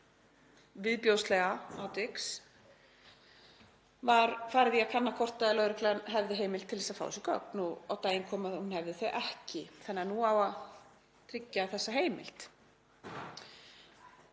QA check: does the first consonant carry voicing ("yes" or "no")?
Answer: yes